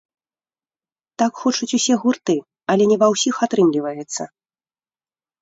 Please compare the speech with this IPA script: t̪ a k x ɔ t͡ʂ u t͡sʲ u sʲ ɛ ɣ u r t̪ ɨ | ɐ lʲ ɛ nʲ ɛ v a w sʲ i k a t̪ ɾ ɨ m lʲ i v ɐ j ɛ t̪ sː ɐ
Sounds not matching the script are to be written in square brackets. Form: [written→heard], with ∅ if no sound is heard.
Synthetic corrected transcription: t̪ a k x ɔ t͡ʂ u t͡sʲ u sʲ ɛ ɣ u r t̪ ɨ | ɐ lʲ ɛ nʲ ɛ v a w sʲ i [k→x] a t̪ ɾ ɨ m lʲ i v ɐ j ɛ t̪ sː ɐ

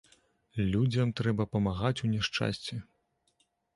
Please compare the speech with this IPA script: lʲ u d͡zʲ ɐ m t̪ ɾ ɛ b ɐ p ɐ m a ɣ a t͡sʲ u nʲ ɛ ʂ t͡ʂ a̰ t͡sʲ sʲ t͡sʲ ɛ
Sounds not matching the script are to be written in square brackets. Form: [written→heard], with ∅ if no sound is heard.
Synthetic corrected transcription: lʲ u d͡zʲ ɐ m t̪ ɾ ɛ b ɐ p ɐ m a ɣ a t͡sʲ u nʲ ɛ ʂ t͡ʂ a̰ [t͡sʲ→∅] sʲ t͡sʲ ɛ

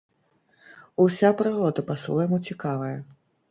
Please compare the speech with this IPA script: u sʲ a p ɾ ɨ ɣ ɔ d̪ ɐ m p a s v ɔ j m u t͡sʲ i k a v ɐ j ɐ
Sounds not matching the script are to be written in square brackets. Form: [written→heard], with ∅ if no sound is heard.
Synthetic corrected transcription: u sʲ a p ɾ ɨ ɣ ɔ d̪ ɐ [m→∅] p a s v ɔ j m u t͡sʲ i k a v ɐ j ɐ

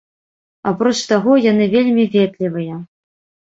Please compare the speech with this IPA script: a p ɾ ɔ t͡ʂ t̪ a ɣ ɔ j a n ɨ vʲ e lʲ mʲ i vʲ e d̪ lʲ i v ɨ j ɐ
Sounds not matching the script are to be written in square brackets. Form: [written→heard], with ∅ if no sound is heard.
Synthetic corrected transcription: a p ɾ ɔ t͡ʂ t̪ a ɣ ɔ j a n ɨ vʲ e lʲ mʲ i vʲ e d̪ lʲ i v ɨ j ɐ

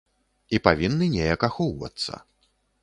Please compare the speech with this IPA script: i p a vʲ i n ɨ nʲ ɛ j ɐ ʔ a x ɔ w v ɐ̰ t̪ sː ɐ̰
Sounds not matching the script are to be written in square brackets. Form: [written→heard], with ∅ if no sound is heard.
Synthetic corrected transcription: i p a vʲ i [n→nː] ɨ nʲ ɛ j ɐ [ʔ→k] a x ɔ w v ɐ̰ t̪ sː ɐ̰

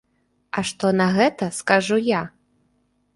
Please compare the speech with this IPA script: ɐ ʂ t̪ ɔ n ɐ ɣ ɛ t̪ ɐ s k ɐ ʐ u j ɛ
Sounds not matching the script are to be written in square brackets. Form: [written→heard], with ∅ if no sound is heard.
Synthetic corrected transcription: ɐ ʂ t̪ ɔ n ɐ ɣ ɛ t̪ ɐ s k [ɐ→a] ʐ u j [ɛ→a]

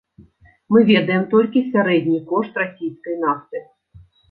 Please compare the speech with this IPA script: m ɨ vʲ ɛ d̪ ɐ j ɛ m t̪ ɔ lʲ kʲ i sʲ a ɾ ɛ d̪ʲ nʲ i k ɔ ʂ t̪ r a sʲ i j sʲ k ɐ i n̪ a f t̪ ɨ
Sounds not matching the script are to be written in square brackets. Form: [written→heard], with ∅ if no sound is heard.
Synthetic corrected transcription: m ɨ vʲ ɛ d̪ ɐ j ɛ m t̪ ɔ lʲ kʲ i sʲ a ɾ ɛ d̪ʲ nʲ i k ɔ ʂ t̪ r a sʲ i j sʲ k ɐ [i→j] n̪ a f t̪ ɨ

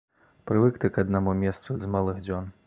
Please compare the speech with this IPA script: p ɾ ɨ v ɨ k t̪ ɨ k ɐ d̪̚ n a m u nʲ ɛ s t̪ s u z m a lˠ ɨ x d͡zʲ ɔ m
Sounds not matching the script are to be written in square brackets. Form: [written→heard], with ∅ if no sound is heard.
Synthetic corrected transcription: p ɾ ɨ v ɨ k t̪ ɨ k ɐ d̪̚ n a m u [nʲ→mʲ] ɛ s t̪ s u z m a lˠ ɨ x d͡zʲ ɔ [m→n]

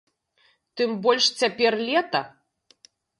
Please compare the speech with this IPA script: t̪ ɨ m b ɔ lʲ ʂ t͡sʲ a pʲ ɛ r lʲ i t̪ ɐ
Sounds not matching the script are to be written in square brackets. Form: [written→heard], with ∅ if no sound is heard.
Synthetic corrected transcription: t̪ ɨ m b ɔ lʲ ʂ t͡sʲ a pʲ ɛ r lʲ [i→ɛ] t̪ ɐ

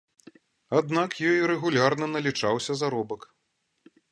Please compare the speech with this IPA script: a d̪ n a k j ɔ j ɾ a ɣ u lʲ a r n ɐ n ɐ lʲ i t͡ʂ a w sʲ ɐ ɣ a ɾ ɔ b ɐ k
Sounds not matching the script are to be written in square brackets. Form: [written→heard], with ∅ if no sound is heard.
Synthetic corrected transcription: a d̪ n a k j ɔ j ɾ [a→ɛ] ɣ u lʲ a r n ɐ n ɐ lʲ i t͡ʂ a w sʲ ɐ [ɣ→z] a ɾ ɔ b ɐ k

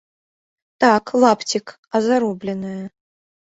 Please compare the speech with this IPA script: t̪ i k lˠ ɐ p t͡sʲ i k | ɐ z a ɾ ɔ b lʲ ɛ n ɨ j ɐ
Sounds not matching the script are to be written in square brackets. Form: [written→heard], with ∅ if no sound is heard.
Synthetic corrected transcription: t̪ [i→a] k lˠ [ɐ→a] p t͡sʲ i k | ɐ z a ɾ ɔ b lʲ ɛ n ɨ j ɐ

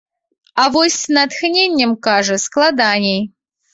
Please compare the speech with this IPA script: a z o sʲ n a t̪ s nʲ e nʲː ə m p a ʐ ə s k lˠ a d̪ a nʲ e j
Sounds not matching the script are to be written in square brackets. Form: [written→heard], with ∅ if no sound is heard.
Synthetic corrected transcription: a [z→v] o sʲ n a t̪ [s→x] nʲ e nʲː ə m [p→k] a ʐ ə s k lˠ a d̪ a nʲ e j

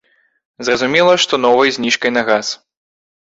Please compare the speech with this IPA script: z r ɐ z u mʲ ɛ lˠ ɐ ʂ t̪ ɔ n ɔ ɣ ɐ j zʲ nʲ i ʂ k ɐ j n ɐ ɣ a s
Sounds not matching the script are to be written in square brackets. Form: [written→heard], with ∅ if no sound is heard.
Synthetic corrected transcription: z r ɐ z u mʲ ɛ lˠ ɐ ʂ t̪ ɔ n ɔ [ɣ→v] ɐ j zʲ nʲ i ʂ k ɐ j n ɐ ɣ a s

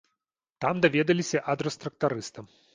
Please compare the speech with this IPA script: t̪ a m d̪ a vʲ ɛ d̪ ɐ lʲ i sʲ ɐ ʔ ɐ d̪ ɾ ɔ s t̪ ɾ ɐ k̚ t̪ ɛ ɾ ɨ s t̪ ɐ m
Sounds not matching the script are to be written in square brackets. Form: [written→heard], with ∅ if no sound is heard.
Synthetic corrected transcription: t̪ a m d̪ a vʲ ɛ d̪ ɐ lʲ i sʲ ɐ ʔ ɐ d̪ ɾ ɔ s t̪ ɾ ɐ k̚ t̪ [ɛ→a] ɾ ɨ s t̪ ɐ m

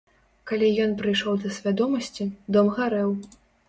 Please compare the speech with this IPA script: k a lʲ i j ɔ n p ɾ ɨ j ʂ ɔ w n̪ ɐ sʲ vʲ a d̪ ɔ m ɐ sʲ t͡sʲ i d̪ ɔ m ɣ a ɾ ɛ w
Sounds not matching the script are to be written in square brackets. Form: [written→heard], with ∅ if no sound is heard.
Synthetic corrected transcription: k a lʲ i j ɔ n p ɾ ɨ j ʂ ɔ w [n̪→d̪] ɐ sʲ vʲ a d̪ ɔ m ɐ sʲ t͡sʲ i d̪ ɔ m ɣ a ɾ ɛ w

